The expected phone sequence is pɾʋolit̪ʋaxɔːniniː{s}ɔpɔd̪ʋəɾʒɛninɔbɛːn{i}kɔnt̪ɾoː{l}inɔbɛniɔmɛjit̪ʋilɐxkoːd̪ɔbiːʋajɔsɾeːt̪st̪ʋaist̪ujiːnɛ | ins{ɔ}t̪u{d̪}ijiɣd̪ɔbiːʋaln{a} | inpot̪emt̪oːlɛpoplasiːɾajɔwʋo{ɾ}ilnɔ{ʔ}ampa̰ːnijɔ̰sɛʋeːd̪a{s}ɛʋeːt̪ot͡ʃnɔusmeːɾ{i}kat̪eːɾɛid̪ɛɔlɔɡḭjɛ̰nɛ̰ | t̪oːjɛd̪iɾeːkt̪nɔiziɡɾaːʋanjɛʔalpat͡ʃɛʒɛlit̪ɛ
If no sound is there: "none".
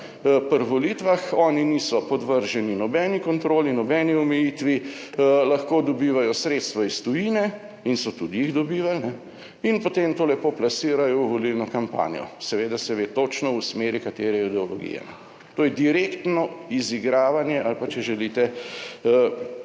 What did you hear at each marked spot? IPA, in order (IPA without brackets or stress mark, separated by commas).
s, i, l, ɔ, d̪, ɛ, l, k, s, i